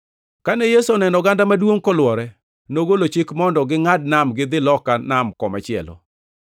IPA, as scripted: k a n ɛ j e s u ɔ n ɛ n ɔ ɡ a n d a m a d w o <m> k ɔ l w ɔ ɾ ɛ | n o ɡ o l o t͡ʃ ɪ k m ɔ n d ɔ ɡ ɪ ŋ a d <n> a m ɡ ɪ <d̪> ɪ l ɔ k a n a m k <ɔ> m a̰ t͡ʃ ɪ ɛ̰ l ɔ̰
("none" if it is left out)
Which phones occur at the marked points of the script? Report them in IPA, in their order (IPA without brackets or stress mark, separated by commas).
ŋ, n, d̪, ɔ